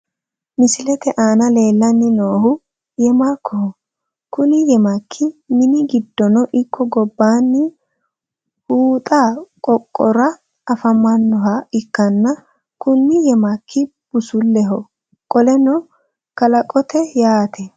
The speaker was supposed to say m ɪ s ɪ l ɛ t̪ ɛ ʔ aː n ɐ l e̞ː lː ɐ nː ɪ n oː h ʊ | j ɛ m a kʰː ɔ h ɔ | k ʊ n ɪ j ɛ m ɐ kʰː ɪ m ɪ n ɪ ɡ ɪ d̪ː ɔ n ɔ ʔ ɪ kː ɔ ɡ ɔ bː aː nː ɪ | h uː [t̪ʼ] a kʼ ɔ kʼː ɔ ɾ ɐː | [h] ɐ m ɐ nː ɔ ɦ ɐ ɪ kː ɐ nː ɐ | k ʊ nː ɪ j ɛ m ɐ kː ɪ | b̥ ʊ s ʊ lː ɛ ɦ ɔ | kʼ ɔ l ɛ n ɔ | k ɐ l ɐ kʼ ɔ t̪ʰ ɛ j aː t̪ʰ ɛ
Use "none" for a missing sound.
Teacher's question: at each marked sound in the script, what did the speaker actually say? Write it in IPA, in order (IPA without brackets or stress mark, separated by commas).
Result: t̪ʼ, f